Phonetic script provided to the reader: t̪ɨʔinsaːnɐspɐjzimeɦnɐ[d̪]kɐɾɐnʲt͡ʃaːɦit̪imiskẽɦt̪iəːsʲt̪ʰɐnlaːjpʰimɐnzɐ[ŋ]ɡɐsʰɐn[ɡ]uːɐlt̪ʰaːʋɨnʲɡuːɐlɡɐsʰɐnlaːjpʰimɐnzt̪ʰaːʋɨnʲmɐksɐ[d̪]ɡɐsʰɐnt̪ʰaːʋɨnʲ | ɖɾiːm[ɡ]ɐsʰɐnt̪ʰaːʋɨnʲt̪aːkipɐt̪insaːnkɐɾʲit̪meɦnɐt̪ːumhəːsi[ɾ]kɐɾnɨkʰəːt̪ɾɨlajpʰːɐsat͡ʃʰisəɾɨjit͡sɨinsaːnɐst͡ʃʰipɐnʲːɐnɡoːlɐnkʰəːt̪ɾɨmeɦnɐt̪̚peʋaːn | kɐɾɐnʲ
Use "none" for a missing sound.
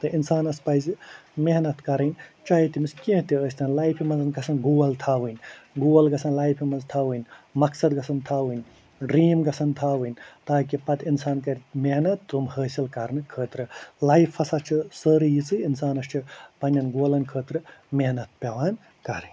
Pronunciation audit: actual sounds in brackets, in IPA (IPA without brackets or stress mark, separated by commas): t̪, n, ɡ, d̪, ɡ, l